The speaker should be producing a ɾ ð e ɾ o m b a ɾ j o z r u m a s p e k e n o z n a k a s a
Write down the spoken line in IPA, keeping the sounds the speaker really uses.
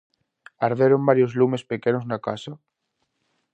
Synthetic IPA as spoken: a ɾ ð e ɾ o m b a ɾ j o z l u m e s p e k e n o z n a k a s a